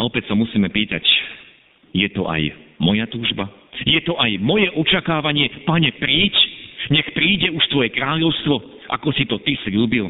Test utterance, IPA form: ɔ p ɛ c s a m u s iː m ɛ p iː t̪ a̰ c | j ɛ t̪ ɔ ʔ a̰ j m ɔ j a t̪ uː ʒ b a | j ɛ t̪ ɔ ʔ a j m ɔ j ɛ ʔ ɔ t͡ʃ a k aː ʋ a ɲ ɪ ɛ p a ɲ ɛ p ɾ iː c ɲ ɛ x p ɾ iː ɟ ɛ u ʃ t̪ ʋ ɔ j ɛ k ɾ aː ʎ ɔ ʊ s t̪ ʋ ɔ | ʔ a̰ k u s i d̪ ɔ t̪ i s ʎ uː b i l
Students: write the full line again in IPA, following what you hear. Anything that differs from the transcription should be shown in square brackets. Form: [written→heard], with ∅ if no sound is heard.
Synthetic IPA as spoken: ɔ p ɛ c s a m u s iː m ɛ p iː t̪ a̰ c | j ɛ t̪ ɔ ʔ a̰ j m ɔ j a t̪ uː ʒ b a | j ɛ t̪ ɔ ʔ a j m ɔ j ɛ ʔ ɔ t͡ʃ a k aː ʋ a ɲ ɪ ɛ p a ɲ ɛ p ɾ iː c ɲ ɛ x p ɾ iː ɟ ɛ u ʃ t̪ ʋ ɔ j ɛ k ɾ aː ʎ ɔ ʊ s t̪ ʋ ɔ | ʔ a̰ k [u→ɔ] s i [d̪→t̪] ɔ t̪ i s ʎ uː b i l